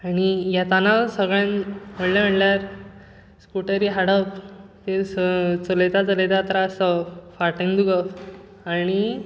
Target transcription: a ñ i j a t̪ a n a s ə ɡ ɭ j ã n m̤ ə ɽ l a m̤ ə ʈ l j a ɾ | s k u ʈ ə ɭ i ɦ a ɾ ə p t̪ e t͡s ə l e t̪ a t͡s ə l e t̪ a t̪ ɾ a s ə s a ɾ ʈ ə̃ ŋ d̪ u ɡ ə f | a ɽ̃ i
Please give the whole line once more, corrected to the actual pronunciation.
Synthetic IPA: a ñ i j a t̪ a n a s ə ɡ ɭ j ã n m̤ ə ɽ l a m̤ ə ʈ l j a ɾ | s k u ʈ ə ɾ i ɦ a ɽ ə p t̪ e t͡s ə l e t̪ a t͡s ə l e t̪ a t̪ ɾ a s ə f a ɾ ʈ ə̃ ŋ d̪ u ɡ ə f | a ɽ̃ i